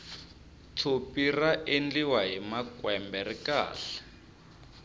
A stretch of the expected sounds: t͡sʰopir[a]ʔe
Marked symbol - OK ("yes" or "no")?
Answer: yes